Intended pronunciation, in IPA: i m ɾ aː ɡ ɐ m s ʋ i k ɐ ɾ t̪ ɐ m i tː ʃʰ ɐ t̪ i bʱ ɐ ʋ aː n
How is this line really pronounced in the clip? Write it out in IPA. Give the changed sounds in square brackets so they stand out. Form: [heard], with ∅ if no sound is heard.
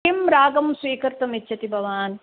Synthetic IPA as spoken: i m ɾ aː ɡ ɐ m s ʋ [iː] k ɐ ɾ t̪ ɐ m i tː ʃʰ ɐ t̪ i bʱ ɐ ʋ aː n